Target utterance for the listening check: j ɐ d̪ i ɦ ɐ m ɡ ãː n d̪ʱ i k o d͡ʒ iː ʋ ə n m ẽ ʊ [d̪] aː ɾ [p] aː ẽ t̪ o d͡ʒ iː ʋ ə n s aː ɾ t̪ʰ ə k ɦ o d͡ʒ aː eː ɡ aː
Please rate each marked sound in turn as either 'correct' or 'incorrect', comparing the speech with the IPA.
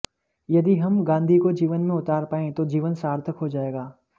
incorrect, correct

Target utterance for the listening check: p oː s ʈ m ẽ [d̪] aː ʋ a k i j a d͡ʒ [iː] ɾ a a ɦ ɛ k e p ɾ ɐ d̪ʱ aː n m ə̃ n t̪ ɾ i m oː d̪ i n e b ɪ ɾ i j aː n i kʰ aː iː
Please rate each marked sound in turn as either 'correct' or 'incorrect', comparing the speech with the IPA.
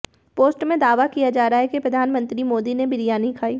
correct, incorrect

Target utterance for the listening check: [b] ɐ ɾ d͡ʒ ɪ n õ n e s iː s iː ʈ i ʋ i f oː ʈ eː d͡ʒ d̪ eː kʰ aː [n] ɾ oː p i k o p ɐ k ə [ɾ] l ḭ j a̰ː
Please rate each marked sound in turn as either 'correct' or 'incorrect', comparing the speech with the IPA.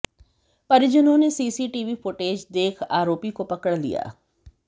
incorrect, incorrect, incorrect

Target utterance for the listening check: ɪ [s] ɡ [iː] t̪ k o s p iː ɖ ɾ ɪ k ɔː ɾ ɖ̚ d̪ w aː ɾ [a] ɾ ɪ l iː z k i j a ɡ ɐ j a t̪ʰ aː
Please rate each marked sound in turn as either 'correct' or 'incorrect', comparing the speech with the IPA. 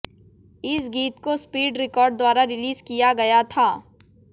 correct, correct, correct

